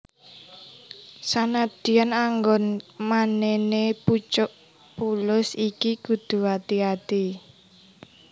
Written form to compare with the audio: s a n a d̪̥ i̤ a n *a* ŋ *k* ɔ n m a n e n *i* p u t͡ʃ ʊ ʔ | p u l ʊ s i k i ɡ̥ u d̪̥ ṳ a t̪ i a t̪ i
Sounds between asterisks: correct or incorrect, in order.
correct, incorrect, incorrect

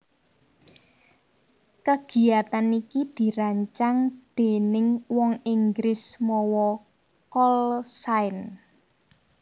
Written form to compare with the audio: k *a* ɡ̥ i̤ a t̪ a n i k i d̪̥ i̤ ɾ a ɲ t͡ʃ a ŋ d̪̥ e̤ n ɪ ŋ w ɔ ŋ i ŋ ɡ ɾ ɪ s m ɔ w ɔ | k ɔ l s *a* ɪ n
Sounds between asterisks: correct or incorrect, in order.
incorrect, correct

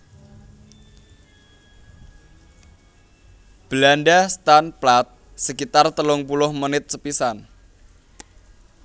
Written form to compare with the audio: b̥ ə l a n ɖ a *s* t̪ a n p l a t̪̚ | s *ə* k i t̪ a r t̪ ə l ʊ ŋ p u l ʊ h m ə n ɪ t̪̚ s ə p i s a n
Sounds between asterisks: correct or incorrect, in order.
correct, correct

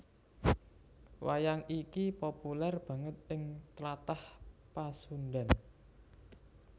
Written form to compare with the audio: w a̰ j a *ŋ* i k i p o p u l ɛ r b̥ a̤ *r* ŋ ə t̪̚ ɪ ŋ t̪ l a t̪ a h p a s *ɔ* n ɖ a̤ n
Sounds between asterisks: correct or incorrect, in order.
correct, incorrect, incorrect

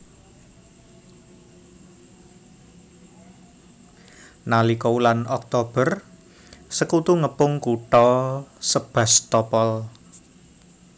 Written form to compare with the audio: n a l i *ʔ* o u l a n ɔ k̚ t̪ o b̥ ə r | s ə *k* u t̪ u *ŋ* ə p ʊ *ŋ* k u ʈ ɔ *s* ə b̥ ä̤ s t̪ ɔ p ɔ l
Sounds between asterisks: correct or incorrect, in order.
incorrect, correct, correct, correct, correct

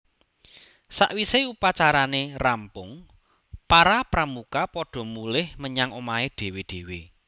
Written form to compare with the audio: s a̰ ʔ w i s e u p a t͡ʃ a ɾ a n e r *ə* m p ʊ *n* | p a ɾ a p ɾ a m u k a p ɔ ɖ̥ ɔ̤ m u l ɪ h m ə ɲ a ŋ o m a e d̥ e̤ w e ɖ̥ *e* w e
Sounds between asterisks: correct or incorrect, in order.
incorrect, incorrect, correct

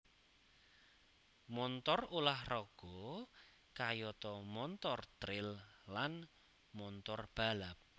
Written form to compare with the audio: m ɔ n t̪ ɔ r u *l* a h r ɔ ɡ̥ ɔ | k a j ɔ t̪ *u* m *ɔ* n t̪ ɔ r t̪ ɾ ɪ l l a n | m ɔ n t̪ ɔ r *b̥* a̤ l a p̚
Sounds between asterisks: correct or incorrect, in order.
correct, incorrect, correct, correct

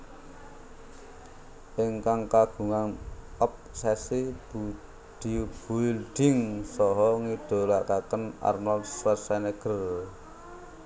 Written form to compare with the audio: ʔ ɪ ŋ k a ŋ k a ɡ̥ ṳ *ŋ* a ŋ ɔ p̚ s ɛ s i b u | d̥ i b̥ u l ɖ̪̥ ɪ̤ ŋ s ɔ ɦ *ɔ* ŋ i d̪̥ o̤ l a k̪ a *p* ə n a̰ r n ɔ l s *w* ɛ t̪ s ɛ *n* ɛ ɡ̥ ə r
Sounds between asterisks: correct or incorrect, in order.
correct, correct, incorrect, correct, correct

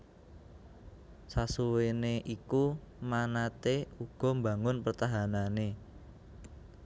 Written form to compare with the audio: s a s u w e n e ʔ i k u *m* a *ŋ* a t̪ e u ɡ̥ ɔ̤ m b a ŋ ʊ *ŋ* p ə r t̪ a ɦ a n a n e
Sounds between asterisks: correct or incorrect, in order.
correct, incorrect, incorrect

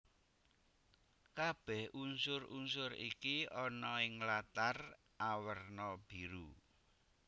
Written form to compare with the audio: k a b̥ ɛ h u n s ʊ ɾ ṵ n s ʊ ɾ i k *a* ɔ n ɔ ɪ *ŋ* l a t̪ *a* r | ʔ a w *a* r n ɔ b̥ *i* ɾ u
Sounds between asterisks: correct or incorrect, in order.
incorrect, correct, correct, incorrect, correct

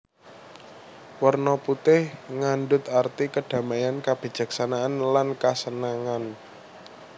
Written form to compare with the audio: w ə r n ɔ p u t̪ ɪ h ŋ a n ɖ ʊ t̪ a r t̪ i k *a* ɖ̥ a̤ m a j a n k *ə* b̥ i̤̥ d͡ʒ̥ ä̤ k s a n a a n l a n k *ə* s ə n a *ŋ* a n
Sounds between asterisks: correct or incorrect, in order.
incorrect, incorrect, incorrect, correct

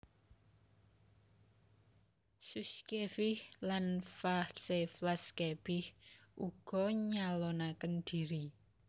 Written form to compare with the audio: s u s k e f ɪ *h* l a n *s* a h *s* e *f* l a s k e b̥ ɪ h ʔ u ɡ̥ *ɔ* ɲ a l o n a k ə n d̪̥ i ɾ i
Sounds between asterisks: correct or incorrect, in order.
correct, incorrect, correct, correct, correct

